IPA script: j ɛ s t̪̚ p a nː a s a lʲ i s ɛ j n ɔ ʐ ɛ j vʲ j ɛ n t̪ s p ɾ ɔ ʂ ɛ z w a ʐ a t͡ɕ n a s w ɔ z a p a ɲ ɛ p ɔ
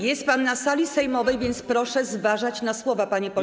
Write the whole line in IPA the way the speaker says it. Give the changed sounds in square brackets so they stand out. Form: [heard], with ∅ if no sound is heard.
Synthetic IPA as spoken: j ɛ s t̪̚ p a nː a s a lʲ i s ɛ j [m] ɔ [v] ɛ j vʲ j ɛ n t̪ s p ɾ ɔ ʂ ɛ z [v] a ʐ a t͡ɕ n a s w ɔ [v] a p a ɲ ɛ p ɔ